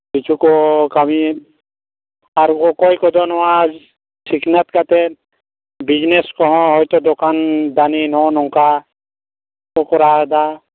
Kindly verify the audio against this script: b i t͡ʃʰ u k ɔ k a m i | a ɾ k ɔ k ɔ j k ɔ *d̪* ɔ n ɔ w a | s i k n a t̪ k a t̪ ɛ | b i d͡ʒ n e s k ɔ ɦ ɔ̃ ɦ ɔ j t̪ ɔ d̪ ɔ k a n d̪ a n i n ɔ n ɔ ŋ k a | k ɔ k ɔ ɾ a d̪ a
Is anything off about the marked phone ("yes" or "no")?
no